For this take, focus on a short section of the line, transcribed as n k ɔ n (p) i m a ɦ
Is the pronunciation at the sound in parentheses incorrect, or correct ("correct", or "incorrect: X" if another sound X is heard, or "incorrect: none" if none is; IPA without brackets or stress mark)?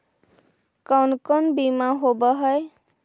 incorrect: b